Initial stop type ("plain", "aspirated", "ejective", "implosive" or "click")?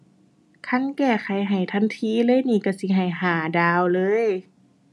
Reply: aspirated